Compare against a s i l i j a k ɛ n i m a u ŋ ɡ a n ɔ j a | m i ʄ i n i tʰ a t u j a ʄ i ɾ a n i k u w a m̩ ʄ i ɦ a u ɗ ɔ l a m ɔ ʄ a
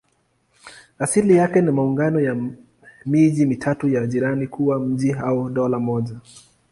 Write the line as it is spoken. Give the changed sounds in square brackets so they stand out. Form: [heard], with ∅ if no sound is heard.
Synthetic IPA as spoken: a s i l i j a k ɛ n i m a u ŋ ɡ a n ɔ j a | m i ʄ i [m] i tʰ a t u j a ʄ i ɾ a n i k u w a m̩ ʄ i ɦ a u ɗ ɔ l a m ɔ ʄ a